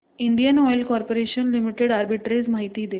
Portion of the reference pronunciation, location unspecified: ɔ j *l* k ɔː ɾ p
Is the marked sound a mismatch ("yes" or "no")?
no